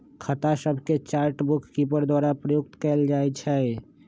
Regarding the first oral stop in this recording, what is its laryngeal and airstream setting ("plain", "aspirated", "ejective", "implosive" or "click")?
aspirated